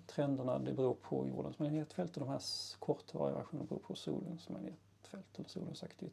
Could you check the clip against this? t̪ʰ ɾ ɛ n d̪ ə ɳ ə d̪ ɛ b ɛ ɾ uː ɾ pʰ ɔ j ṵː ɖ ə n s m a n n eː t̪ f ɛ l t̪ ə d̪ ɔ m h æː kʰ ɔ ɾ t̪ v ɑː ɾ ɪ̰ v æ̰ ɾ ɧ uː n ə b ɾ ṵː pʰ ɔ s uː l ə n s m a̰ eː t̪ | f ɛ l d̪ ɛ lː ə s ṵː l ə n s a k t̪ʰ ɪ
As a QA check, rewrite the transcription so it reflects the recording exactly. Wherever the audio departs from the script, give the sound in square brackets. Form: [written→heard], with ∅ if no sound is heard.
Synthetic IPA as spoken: t̪ʰ ɾ ɛ n d̪ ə ɳ [ə→a] d̪ ɛ b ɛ ɾ uː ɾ pʰ ɔ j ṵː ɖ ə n s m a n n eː t̪ f ɛ l t̪ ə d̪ ɔ m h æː kʰ ɔ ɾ t̪ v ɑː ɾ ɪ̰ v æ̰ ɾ ɧ uː n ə b ɾ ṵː pʰ ɔ s uː l ə n s m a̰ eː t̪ | f ɛ l [d̪→t̪] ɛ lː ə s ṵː l ə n s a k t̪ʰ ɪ